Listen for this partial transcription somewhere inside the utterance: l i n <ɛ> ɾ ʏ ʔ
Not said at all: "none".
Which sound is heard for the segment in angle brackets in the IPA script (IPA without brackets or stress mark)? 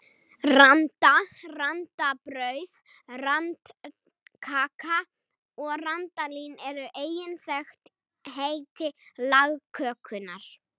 ɛ